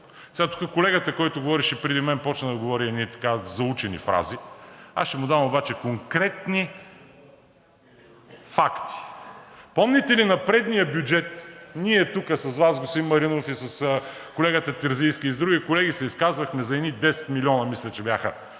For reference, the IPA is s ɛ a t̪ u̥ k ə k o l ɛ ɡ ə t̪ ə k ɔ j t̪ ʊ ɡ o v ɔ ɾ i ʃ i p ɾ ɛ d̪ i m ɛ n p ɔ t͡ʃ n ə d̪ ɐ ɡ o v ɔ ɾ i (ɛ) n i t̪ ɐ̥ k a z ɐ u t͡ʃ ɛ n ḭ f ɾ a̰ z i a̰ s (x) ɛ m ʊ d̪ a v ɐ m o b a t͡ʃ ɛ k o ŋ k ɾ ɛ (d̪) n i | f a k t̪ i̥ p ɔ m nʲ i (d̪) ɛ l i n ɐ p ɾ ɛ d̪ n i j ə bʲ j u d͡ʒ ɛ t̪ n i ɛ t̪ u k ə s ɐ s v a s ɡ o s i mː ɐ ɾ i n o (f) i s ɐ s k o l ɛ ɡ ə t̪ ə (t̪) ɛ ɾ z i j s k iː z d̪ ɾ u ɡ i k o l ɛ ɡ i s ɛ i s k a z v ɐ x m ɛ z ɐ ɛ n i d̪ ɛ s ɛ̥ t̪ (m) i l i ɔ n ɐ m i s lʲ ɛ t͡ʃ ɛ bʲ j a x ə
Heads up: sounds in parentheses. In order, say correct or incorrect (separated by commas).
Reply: correct, incorrect, incorrect, incorrect, correct, correct, correct